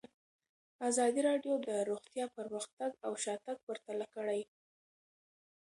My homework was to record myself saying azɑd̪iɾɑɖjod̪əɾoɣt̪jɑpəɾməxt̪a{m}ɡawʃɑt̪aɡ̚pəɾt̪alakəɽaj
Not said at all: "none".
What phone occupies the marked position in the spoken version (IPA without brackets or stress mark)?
none